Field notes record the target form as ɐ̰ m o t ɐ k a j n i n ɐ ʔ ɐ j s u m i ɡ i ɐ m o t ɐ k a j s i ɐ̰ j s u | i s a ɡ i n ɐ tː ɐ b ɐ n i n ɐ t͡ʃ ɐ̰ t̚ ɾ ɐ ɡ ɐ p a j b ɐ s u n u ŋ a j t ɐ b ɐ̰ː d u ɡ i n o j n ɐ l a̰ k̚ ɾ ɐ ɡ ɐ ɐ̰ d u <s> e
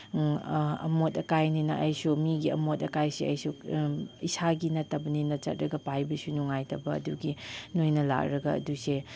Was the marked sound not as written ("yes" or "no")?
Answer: no